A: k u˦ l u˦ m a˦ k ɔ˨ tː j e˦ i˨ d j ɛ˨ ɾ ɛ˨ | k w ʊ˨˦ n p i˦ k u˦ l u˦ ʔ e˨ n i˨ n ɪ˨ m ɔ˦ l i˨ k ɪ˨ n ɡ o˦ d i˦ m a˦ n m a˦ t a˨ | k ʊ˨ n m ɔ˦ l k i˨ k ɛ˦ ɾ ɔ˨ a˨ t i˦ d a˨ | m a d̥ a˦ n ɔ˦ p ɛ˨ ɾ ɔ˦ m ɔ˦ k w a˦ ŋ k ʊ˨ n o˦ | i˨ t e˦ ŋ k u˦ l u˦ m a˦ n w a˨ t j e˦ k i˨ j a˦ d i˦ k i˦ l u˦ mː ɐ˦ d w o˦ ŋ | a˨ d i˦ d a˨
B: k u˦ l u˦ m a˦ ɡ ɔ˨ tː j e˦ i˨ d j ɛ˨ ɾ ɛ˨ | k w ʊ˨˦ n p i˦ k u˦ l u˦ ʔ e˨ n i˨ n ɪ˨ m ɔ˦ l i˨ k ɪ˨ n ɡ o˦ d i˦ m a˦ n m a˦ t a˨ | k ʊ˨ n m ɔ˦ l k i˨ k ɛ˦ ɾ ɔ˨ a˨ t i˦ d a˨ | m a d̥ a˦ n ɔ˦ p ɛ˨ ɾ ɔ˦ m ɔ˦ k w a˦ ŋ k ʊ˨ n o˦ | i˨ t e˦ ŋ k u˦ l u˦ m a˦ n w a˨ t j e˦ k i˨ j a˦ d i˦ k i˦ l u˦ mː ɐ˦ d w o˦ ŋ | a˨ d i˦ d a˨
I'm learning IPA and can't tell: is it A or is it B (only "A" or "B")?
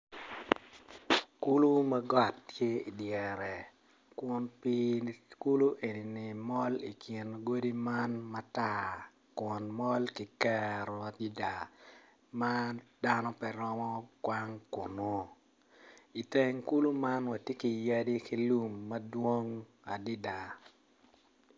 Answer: B